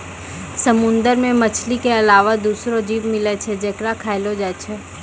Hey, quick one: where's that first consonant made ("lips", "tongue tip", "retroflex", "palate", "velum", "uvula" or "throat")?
tongue tip